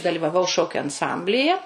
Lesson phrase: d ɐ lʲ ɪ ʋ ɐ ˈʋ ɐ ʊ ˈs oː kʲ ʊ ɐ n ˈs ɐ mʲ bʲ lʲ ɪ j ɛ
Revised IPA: d ɐ lʲ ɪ ʋ ɐ ˈʋ ɐ ʊ ˈʃ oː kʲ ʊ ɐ n ˈs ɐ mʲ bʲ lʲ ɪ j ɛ